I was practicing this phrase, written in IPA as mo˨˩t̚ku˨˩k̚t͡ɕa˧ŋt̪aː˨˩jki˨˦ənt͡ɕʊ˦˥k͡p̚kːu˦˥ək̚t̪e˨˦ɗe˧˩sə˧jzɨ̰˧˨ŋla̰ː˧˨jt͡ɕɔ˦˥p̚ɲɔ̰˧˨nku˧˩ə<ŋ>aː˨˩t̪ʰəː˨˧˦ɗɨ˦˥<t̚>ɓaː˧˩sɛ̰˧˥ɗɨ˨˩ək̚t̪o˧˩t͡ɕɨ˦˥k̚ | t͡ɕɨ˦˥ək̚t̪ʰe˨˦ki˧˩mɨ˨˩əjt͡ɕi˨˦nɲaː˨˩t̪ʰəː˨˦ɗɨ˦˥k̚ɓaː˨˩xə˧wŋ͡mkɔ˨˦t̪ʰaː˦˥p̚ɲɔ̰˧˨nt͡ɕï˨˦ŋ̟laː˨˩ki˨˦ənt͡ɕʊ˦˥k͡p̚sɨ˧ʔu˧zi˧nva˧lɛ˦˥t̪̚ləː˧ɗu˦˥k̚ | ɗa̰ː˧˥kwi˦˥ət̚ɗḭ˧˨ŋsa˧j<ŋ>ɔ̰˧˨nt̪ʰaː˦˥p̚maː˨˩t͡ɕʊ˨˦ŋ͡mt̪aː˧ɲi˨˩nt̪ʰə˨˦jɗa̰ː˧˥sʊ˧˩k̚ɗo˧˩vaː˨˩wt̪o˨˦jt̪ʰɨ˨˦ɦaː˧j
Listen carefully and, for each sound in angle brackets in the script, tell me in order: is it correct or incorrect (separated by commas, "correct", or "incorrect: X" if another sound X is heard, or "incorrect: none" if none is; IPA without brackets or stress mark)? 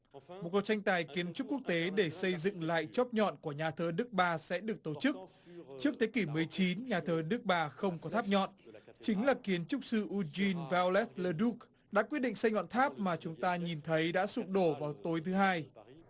incorrect: ɲ, incorrect: k̚, correct